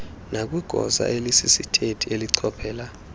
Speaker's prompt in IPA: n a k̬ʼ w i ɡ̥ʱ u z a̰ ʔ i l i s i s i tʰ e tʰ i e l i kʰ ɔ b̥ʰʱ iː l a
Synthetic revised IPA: n a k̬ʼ w i ɡ̥ʱ ɔ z a̰ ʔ e l i s i s i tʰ e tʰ i e l i ǀʰ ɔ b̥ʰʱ ɛː l a